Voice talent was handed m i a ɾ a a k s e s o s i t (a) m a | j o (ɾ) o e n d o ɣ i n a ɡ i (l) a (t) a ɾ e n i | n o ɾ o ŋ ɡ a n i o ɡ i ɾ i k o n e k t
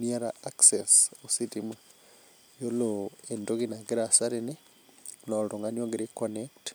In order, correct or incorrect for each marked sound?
incorrect, incorrect, incorrect, incorrect

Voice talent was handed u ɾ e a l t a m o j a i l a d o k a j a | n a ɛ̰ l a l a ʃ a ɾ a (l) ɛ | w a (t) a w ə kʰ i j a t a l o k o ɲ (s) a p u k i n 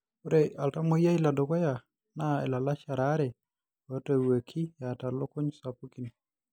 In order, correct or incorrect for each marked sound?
incorrect, correct, correct

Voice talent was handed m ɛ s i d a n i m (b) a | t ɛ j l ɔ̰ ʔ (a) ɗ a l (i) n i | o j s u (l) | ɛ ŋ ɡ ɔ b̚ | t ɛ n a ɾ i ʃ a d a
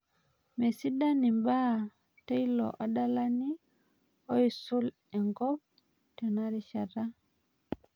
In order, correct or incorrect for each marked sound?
correct, correct, incorrect, correct

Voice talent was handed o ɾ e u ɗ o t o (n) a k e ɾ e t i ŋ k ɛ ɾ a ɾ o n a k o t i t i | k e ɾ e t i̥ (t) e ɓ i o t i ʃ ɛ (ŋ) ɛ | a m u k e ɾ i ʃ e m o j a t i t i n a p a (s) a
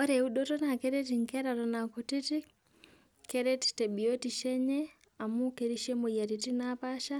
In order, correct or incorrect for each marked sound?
correct, correct, incorrect, incorrect

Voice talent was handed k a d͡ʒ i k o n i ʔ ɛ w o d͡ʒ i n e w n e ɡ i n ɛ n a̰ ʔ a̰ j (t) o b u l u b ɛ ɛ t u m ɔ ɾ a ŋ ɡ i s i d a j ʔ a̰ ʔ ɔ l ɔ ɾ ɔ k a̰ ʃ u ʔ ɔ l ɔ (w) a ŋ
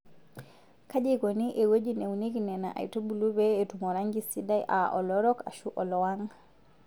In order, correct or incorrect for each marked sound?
correct, correct

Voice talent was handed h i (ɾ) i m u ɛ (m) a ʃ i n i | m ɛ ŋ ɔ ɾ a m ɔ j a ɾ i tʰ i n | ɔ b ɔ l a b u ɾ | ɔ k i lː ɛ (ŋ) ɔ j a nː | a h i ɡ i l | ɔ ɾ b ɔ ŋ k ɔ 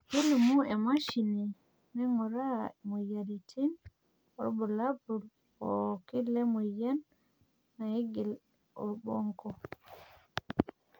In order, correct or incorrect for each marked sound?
incorrect, correct, incorrect

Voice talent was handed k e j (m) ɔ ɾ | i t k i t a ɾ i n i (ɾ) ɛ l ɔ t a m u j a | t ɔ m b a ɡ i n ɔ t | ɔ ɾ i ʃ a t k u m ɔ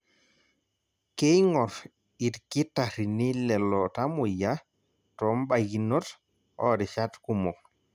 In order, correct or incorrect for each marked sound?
incorrect, incorrect

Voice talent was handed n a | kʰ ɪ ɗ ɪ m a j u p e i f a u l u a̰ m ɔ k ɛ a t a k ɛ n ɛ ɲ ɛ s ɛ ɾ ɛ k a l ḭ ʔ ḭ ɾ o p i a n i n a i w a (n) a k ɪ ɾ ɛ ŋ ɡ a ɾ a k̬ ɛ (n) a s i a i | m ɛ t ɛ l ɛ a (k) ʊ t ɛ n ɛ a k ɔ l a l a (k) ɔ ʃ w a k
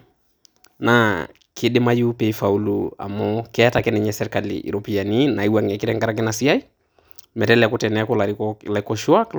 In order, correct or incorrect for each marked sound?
incorrect, correct, correct, correct

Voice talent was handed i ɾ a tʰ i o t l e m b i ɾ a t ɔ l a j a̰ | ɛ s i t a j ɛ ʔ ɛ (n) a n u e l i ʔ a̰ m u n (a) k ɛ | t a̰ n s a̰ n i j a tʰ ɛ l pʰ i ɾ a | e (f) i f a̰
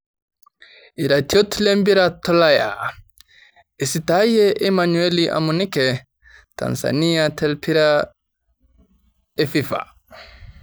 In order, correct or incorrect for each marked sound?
incorrect, incorrect, correct

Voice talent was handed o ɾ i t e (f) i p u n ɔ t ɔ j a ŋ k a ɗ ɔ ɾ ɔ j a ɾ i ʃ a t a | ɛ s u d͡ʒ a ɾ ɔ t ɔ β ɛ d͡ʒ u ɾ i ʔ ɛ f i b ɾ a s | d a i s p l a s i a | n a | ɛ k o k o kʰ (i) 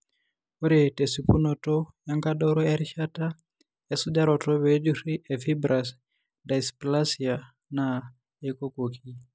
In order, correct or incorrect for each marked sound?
incorrect, correct

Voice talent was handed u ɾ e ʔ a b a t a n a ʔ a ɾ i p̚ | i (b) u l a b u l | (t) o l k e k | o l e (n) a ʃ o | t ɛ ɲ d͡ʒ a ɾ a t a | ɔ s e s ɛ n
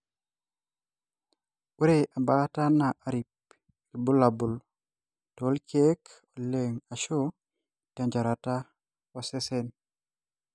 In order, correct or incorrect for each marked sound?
correct, correct, incorrect

